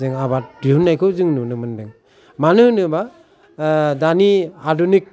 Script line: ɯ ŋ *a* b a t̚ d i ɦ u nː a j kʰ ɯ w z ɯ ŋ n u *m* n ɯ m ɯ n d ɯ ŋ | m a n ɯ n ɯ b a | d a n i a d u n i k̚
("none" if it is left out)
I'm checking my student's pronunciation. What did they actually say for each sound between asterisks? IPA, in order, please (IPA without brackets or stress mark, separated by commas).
a, none